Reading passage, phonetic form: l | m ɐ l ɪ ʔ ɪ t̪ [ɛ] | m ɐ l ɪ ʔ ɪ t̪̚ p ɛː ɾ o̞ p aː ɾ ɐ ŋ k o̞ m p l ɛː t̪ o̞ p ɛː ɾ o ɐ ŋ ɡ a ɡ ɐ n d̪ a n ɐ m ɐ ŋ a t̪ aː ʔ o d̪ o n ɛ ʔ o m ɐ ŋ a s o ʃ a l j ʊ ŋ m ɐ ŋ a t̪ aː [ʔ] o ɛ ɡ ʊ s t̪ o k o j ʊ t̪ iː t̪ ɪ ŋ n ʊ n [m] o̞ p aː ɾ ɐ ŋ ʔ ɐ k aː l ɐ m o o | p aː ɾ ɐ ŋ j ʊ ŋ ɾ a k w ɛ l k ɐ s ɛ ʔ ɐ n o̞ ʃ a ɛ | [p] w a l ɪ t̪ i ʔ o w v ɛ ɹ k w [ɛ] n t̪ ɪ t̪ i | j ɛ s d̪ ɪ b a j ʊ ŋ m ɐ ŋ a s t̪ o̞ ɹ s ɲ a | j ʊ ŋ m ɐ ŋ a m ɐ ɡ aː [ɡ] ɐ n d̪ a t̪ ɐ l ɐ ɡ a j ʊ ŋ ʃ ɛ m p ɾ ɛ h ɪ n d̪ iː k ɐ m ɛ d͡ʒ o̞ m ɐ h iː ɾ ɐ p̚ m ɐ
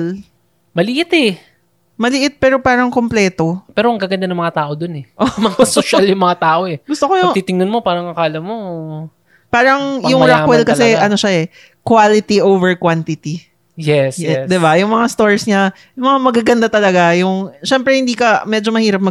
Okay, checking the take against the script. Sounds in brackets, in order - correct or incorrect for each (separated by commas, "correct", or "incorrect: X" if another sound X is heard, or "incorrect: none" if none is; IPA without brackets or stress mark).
correct, correct, correct, incorrect: k, incorrect: a, correct